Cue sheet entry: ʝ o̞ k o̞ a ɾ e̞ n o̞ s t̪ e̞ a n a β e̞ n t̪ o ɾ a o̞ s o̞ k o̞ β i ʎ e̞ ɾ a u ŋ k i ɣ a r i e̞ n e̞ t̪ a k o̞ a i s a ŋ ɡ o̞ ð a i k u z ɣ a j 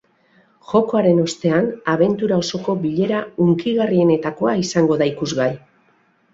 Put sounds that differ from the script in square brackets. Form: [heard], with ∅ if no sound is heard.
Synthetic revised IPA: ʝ o̞ k o̞ a ɾ e̞ n o̞ s t̪ e̞ a n a β e̞ n t̪ [u] ɾ a o̞ s o̞ k o̞ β i ʎ e̞ ɾ a u ŋ k i ɣ a r i e̞ n e̞ t̪ a k o̞ a i s a ŋ ɡ o̞ ð a i k u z ɣ a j